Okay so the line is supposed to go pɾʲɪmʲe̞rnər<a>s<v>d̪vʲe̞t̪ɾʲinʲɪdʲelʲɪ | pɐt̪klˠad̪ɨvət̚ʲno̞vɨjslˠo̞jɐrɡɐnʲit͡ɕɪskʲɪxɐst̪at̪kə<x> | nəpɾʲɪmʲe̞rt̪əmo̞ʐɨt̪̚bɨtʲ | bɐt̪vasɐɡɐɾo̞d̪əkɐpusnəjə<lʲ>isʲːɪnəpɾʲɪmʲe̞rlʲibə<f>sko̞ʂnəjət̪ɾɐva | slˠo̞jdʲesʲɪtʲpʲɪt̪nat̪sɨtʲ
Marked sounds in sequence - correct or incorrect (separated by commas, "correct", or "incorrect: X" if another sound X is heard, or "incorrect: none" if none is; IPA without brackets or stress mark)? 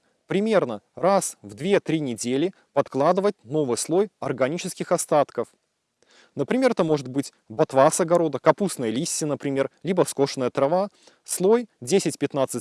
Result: correct, correct, incorrect: f, correct, correct